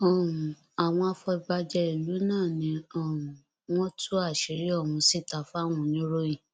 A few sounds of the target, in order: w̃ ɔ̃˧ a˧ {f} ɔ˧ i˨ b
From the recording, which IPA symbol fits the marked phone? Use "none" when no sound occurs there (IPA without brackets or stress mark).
f